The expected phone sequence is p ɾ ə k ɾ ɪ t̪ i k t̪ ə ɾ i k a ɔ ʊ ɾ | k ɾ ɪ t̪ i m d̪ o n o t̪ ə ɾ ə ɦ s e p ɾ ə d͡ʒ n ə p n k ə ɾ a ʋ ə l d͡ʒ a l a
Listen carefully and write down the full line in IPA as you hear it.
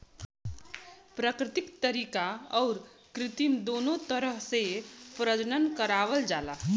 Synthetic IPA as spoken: p ɾ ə k ɾ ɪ t̪ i k t̪ ə ɾ i k a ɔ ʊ ɾ | k ɾ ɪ t̪ i m d̪ o n o t̪ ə ɾ ə ɦ s e p ɾ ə d͡ʒ n ə n k ə ɾ a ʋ ə l d͡ʒ a l a